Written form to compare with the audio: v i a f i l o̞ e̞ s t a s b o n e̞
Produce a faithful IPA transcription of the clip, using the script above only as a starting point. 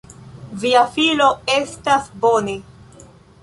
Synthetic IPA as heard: v i a f i l o̞ e̞ s t a s b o n e̞